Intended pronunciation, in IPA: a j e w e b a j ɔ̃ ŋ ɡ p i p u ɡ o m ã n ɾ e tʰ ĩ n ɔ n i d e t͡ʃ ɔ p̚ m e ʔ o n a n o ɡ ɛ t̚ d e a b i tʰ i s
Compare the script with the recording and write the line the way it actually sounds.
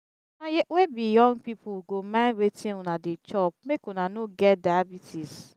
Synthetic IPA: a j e w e b i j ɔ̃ ŋ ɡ p i p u ɡ o m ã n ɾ e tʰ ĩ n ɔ n a d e t͡ʃ ɔ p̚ m e k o n a n o ɡ ɛ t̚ d a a b i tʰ i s